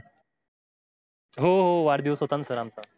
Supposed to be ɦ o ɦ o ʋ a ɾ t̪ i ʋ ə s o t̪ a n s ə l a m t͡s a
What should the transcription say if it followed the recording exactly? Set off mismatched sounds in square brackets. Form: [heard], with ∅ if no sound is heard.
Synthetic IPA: ɦ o ɦ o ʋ a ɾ [d̪] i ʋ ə s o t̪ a n s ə [ɾ] a m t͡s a